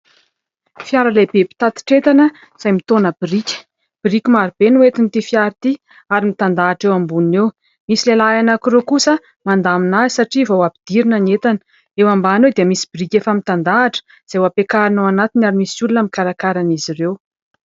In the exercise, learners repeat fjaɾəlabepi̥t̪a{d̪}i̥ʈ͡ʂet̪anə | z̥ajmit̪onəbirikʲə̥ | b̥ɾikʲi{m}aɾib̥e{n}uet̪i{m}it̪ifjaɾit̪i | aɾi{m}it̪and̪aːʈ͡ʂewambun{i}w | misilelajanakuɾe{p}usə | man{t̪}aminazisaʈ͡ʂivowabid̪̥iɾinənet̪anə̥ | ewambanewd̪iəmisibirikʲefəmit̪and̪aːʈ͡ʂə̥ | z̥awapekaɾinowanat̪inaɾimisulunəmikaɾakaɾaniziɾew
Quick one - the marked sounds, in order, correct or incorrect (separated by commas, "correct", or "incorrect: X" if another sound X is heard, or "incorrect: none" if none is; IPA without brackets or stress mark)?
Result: incorrect: t̪, correct, correct, incorrect: n, correct, incorrect: e, incorrect: k, incorrect: d̪